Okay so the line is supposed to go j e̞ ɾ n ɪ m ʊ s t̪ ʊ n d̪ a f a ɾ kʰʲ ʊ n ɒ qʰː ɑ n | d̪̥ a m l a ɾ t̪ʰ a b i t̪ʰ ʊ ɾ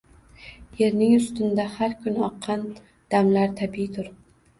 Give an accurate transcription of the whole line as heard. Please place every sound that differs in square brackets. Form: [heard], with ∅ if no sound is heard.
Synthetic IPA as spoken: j e̞ ɾ n ɪ [ŋ] ʊ s t̪ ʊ n d̪ a [h] a ɾ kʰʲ ʊ n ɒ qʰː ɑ n | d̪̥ a m l a ɾ t̪ʰ a b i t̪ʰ ʊ ɾ